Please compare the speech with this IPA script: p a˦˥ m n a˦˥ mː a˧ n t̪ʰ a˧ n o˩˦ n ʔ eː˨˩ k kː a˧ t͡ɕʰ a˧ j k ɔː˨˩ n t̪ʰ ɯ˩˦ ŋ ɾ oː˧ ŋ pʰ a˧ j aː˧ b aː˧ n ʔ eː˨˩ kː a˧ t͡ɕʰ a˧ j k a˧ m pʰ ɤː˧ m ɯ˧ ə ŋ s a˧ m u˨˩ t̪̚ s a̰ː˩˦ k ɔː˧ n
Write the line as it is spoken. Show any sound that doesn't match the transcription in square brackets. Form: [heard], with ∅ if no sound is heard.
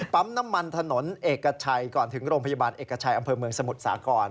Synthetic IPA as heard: p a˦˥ m n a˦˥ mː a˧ n t̪ʰ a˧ n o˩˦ n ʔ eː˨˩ k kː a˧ t͡ɕʰ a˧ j k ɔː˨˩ n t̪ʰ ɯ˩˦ ŋ ɾ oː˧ ŋ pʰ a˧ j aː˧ b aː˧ n ʔ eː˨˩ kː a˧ t͡ɕʰ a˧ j [ʔ] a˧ m pʰ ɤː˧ m ɯ˧ ə ŋ s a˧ m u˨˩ t̪̚ s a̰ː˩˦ k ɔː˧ n